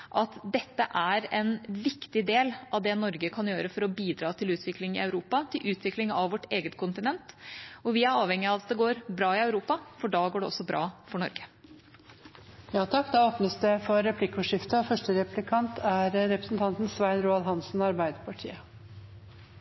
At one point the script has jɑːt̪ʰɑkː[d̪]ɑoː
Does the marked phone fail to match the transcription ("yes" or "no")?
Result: no